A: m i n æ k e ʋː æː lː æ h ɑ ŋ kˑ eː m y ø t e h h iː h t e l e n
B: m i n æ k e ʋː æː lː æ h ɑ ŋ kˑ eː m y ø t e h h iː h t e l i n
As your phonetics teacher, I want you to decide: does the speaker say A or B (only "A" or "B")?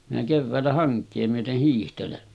A